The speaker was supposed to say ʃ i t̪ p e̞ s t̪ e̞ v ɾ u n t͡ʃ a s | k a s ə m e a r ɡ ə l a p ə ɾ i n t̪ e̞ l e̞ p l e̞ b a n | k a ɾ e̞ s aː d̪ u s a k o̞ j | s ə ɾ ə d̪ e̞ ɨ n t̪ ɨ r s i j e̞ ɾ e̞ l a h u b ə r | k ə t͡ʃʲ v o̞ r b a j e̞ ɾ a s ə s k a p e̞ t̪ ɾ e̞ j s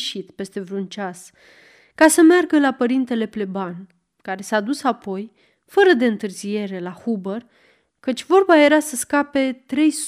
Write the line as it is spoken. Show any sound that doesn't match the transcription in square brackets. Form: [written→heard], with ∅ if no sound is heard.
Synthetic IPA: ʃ i t̪ p e̞ s t̪ e̞ v ɾ u n t͡ʃ a s | k a s ə m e a r ɡ ə l a p ə ɾ i n t̪ e̞ l e̞ p l e̞ b a n | k a ɾ e̞ s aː d̪ u s a [k→p] o̞ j | [s→f] ə ɾ ə d̪ e̞ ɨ n t̪ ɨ r [s→z] i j e̞ ɾ e̞ l a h u b ə r | k ə t͡ʃʲ v o̞ r b a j e̞ ɾ a s ə s k a p e̞ t̪ ɾ e̞ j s